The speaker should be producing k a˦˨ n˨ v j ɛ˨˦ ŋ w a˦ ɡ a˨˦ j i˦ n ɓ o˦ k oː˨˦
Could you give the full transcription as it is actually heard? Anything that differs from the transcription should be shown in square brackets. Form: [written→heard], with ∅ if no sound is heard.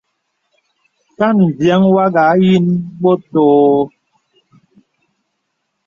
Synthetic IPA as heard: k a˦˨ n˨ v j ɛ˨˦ ŋ w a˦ ɡ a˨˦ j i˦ n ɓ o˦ [k→t] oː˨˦